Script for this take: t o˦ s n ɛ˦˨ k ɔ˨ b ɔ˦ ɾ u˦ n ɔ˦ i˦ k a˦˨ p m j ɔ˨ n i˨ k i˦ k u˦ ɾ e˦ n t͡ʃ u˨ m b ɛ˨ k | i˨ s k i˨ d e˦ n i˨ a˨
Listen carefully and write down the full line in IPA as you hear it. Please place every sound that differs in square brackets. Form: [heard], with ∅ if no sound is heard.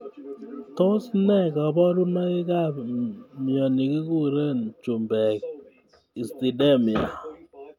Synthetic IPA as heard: t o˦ s n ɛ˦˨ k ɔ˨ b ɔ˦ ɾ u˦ n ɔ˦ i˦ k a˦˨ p m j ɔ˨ n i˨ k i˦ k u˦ ɾ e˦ n t͡ʃ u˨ m b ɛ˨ k | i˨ s [t] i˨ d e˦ [m] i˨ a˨

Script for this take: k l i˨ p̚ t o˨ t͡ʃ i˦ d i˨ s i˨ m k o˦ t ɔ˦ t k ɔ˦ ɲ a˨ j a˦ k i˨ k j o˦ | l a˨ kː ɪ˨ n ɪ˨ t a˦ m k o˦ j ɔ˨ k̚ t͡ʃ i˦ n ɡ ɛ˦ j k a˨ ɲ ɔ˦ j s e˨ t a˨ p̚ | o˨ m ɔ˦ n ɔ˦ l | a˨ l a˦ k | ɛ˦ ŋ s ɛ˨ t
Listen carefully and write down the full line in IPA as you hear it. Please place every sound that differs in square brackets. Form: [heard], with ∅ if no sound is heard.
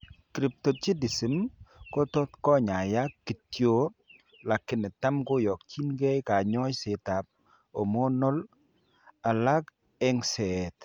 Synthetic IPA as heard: k [ɾ] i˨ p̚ t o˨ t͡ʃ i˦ d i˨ s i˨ m k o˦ t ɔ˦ t k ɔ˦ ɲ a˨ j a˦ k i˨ [t] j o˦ | l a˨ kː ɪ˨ n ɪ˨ t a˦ m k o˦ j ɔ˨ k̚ t͡ʃ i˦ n ɡ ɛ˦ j k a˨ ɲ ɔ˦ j s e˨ t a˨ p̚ | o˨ m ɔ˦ n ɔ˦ l | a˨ l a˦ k | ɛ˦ ŋ s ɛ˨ t

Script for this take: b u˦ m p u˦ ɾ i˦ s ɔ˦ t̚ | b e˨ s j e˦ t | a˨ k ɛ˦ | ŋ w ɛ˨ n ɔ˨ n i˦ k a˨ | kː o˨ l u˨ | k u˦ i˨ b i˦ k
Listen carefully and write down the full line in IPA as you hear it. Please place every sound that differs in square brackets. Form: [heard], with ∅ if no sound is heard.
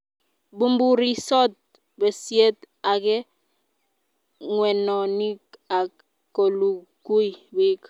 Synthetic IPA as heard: b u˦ m [b] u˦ ɾ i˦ s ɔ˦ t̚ | b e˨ s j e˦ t | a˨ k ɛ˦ | ŋ w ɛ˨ n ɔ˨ n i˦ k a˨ | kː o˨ l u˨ | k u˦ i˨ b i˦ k

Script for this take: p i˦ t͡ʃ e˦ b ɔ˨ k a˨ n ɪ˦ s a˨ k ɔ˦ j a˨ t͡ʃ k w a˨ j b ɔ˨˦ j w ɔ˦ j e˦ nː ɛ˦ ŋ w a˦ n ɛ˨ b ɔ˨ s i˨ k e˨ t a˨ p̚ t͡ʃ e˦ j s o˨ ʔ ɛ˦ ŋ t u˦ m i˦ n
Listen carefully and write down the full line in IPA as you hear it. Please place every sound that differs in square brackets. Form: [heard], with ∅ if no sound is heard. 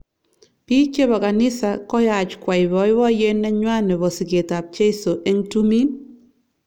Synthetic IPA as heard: p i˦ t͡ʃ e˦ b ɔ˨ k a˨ n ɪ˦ s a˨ k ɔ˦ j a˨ t͡ʃ k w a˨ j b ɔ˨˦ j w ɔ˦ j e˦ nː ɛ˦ [ɲ] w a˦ n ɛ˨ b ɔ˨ s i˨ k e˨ t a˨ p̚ t͡ʃ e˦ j s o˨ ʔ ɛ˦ ŋ t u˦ m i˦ n

